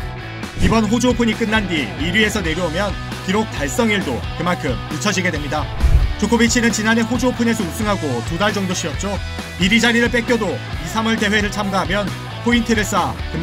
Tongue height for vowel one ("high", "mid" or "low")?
high